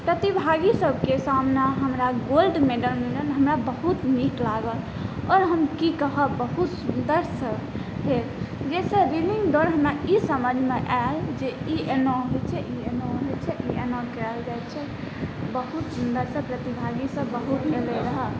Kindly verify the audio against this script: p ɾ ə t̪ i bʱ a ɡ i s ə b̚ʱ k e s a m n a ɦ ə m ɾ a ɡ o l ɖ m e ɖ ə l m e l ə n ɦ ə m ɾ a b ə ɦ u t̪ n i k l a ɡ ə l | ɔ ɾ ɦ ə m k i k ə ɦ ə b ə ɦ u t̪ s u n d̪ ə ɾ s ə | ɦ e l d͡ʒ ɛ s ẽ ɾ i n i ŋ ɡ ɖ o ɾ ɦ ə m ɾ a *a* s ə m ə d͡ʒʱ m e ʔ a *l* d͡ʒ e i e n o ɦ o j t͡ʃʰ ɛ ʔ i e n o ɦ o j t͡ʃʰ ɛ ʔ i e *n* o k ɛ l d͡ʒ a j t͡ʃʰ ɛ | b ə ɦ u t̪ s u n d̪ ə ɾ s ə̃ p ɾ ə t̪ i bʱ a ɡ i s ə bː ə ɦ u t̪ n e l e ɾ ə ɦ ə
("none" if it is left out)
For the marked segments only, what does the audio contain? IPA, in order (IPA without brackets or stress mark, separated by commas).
i, l, n